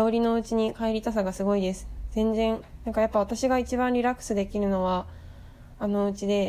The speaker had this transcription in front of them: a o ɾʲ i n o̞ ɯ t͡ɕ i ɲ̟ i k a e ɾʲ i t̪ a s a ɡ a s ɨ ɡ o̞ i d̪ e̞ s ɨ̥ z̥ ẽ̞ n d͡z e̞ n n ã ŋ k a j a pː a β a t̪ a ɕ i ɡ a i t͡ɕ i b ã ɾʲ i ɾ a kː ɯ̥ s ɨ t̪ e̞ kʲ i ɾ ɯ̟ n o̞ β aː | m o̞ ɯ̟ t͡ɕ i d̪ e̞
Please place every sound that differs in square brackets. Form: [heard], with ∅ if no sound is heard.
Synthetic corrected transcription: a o ɾʲ i n o̞ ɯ t͡ɕ i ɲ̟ i k a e ɾʲ i t̪ a s a ɡ a s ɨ ɡ o̞ i d̪ e̞ s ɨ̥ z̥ ẽ̞ n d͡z [ẽ̞] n n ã ŋ k a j a pː a β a t̪ a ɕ i ɡ a i t͡ɕ i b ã ɾʲ i ɾ a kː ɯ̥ s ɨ [d̪] e̞ kʲ i ɾ ɯ̟ n o̞ β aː | [n] o̞ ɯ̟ t͡ɕ i d̪ e̞